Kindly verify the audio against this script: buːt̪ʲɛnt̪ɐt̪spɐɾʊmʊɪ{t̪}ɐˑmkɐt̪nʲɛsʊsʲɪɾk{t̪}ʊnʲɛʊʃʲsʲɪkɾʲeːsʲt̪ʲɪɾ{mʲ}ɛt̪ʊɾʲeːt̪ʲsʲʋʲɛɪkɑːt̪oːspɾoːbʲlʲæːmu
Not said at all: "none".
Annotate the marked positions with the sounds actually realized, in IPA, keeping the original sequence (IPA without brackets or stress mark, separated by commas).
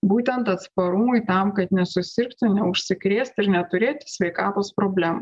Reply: t̪, t̪, nʲ